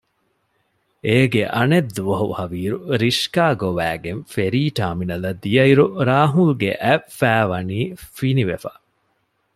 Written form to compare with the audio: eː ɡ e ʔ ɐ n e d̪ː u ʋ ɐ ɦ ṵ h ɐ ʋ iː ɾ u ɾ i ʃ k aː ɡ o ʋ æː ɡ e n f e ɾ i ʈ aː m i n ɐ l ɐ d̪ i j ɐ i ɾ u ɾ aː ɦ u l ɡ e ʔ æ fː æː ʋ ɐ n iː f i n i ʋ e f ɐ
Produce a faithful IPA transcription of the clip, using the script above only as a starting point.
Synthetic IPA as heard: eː ɡ e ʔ ɐ n e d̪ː u ʋ ɐ ɦ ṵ h ɐ ʋ iː ɾ u ɾ i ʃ k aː ɡ o ʋ æː ɡ e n f e ɾ iː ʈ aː m i n ɐ l ɐ d̪ i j ɐ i ɾ u ɾ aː ɦ u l ɡ e ʔ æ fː æː ʋ ɐ n iː f i n i ʋ e f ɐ